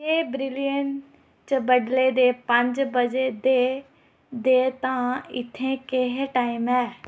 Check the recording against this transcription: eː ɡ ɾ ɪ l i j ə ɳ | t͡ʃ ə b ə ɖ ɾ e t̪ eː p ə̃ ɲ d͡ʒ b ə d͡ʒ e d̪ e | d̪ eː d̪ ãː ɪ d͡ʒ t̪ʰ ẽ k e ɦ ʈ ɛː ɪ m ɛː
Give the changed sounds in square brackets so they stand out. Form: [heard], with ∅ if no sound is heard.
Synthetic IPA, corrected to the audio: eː [b] ɾ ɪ l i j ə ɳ | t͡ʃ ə b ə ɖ [l] e [d̪] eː p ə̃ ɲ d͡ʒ b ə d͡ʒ e d̪ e | d̪ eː [t̪] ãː ɪ [∅] t̪ʰ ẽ k e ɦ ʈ [aː] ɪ m ɛː